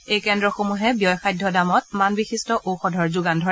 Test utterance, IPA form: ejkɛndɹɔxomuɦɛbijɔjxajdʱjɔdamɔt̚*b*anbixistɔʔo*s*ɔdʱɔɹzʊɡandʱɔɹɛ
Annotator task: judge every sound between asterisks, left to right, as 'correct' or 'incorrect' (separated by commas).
incorrect, incorrect